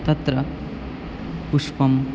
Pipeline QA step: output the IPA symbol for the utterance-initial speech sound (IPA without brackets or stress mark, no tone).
t̪